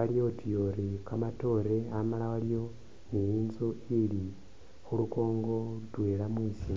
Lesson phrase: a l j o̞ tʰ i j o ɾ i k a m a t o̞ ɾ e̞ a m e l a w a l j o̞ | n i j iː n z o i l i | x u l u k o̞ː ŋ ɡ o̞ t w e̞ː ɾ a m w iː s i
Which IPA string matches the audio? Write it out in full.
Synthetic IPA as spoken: a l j o̞ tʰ i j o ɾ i k a m a t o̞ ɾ e̞ a m a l a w a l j o̞ | n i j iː n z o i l i | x u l u k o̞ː ŋ ɡ o̞ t w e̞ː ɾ a m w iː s i